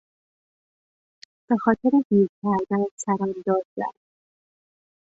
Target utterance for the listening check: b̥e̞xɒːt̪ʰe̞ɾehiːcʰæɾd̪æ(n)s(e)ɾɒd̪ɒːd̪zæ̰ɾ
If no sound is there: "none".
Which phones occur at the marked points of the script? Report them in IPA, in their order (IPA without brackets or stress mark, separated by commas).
n, æ